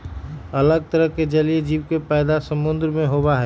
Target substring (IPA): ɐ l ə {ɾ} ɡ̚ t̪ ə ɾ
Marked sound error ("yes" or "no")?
yes